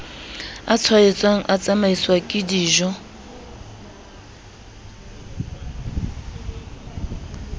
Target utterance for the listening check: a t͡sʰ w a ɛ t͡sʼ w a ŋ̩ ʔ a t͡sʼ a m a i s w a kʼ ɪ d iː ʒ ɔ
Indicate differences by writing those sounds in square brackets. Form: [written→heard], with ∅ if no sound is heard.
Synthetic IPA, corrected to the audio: a t͡sʰ w a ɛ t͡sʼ w a ŋ̩ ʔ a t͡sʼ a m a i s w a kʼ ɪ d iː ʒ ɔ